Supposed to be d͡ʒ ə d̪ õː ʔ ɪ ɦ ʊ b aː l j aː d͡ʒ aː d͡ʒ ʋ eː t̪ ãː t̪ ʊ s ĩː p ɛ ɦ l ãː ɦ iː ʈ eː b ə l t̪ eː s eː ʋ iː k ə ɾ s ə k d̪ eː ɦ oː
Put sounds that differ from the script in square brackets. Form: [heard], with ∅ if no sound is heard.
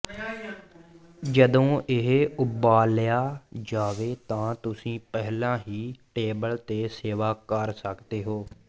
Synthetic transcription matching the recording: d͡ʒ ə d̪ õː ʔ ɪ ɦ ʊ b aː l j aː d͡ʒ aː [∅] ʋ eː t̪ ãː t̪ ʊ s ĩː p ɛ ɦ l ãː ɦ iː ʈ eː b ə l t̪ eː s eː ʋ [aː] k ə ɾ s ə k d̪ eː ɦ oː